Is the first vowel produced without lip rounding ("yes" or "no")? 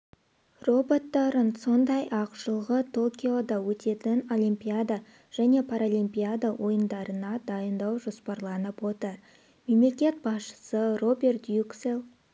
no